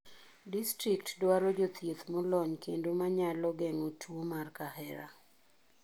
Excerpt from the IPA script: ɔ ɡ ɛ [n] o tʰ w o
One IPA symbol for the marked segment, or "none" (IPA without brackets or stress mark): ŋ